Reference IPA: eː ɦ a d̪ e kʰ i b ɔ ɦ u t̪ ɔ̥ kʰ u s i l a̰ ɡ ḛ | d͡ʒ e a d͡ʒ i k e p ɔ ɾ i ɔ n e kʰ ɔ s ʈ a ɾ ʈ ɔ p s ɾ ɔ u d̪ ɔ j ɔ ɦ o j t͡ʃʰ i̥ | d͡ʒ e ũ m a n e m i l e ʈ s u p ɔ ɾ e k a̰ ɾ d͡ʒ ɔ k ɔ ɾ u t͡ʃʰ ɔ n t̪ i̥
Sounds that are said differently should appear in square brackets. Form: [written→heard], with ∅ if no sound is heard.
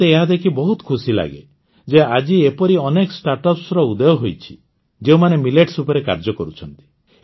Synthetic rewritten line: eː ɦ a d̪ e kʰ i b ɔ ɦ u t̪ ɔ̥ kʰ u s i l a̰ ɡ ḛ | d͡ʒ e a d͡ʒ i [k→∅] e p ɔ ɾ i ɔ n e [kʰ→k] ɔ s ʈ a ɾ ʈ ɔ p s ɾ ɔ u d̪ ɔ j ɔ ɦ o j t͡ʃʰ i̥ | d͡ʒ e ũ m a n e m i l e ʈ s u p ɔ ɾ e k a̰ ɾ d͡ʒ ɔ k ɔ ɾ u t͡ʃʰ ɔ n t̪ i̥